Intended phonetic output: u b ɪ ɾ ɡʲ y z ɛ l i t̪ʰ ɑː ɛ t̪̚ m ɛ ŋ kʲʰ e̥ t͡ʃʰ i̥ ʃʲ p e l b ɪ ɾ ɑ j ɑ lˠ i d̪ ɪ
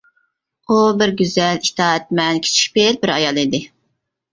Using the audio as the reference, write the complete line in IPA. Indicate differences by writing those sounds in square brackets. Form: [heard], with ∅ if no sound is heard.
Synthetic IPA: u b ɪ ɾ ɡʲ y z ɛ l i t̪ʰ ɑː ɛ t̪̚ m ɛ [n] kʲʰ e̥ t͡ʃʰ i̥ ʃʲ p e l b ɪ ɾ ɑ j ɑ lˠ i d̪ ɪ